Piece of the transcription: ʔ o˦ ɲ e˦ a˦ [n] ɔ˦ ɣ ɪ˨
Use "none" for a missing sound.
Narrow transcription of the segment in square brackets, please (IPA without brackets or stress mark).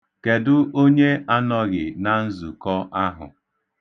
n